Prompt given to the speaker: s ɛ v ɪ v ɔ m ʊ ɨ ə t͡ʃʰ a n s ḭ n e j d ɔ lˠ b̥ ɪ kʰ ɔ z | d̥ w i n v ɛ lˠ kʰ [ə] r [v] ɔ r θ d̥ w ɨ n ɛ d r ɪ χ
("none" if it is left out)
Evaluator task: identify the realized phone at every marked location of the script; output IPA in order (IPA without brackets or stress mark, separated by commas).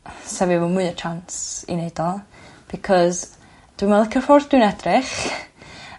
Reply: ə, f